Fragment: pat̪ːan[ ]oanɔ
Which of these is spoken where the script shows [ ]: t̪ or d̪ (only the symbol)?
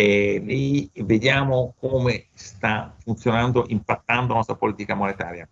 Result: d̪